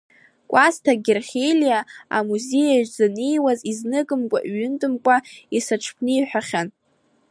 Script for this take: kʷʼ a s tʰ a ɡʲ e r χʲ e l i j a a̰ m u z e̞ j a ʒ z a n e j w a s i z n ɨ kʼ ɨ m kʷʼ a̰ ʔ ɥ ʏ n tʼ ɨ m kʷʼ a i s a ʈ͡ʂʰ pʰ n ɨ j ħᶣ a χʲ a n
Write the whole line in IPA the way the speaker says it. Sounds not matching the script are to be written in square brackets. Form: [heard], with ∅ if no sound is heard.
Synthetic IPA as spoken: kʷʼ a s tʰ a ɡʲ e r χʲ e l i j a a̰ m u z e̞ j a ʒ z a n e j w a [z] i z n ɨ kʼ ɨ m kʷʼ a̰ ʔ ɥ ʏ n tʼ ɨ m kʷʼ a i s a ʈ͡ʂʰ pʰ n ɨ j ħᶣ a χʲ a n